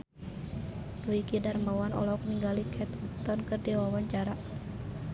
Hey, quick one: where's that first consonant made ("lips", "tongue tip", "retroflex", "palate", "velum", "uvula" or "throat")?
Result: tongue tip